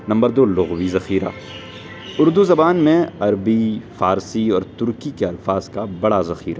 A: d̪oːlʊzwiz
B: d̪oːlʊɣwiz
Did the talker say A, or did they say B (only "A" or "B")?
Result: B